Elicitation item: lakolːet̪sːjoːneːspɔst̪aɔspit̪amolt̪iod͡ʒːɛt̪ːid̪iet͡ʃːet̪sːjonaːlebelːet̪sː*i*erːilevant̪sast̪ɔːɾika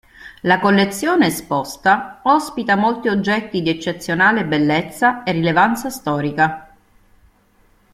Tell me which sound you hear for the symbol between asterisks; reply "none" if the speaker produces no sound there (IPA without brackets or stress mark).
a